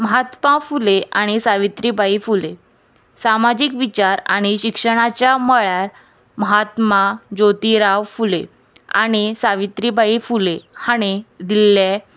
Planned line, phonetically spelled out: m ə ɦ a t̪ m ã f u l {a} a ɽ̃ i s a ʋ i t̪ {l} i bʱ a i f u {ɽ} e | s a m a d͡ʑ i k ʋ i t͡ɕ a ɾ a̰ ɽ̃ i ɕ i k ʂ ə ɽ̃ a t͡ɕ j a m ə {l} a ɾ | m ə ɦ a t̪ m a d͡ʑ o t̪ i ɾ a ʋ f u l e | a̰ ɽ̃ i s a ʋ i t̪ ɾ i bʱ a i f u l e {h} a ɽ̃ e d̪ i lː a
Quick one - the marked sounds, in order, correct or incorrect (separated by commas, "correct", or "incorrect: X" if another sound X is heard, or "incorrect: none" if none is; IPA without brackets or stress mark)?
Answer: incorrect: e, incorrect: ɾ, incorrect: l, incorrect: ɭ, correct